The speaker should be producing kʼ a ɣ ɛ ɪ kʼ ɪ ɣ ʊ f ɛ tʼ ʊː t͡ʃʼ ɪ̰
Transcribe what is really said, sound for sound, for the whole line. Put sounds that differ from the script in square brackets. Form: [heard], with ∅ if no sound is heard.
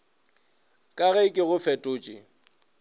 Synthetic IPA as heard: kʼ a ɣ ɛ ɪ kʼ ɪ ɣ ʊ f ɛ tʼ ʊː t͡ʃʼ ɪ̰